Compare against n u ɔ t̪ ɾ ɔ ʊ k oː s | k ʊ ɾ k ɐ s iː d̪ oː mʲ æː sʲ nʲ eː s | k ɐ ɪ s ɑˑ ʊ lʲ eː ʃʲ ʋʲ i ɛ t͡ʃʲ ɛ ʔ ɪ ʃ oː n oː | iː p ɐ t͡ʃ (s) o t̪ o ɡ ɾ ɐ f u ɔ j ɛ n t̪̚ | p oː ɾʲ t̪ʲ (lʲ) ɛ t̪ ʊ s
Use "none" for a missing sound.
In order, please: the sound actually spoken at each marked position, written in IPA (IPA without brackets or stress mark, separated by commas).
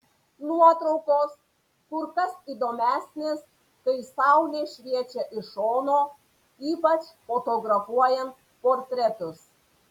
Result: f, ɾʲ